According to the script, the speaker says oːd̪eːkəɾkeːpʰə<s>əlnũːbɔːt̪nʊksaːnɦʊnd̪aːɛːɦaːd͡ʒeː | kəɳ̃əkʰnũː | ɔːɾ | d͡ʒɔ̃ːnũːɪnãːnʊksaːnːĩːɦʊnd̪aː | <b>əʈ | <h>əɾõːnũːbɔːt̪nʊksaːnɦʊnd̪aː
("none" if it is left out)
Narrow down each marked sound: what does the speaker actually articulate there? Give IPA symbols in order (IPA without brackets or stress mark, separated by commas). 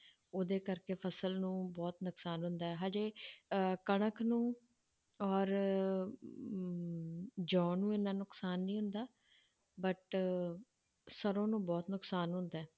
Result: s, b, s